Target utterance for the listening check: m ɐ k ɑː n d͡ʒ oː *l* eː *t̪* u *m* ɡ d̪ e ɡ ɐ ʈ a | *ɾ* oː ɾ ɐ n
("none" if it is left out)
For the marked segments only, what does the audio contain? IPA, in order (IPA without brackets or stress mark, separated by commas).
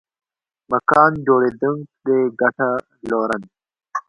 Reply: ɽ, d̪, ŋ, l